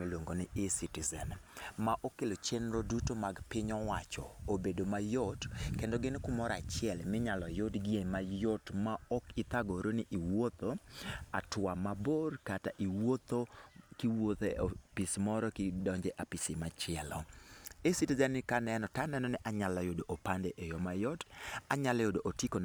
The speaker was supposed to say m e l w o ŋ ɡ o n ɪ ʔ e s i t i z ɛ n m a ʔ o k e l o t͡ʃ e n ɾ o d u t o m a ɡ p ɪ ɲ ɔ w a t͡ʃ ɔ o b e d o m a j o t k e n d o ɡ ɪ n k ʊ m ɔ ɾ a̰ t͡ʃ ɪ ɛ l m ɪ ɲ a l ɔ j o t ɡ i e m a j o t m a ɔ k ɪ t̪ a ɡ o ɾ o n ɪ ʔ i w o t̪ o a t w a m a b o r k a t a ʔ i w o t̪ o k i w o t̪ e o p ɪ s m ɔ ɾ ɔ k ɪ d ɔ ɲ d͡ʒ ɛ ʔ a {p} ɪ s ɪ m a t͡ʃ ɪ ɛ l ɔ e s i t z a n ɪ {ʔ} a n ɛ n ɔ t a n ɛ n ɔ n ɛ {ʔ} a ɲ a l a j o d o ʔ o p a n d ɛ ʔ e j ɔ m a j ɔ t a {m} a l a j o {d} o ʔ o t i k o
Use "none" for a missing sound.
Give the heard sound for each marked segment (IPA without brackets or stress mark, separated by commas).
p, k, ʔ, ɲ, d